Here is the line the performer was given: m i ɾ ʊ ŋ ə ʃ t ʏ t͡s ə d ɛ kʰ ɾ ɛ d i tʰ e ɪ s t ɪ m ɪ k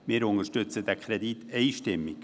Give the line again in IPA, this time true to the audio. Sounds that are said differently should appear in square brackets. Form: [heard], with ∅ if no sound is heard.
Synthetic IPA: m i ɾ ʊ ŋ ə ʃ t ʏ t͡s ə d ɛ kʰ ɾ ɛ d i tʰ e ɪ [ʃ] t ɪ m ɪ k